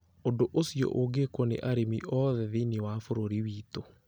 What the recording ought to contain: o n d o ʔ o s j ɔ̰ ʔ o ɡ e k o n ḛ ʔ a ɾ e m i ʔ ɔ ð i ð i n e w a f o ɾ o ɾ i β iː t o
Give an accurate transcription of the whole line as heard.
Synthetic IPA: o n d o ʔ o s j ɔ̰ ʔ o ɡ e k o n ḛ ʔ a ɾ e m i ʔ ɔ ð ɛ ð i n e w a f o ɾ o ɾ i w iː t o